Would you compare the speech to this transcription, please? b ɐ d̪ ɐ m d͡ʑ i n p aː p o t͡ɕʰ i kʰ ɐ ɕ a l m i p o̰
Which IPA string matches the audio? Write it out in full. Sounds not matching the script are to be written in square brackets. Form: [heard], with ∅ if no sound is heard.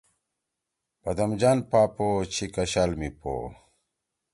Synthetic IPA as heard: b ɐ d̪ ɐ m d͡ʑ [a] n p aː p o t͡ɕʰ i [k] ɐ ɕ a l m i p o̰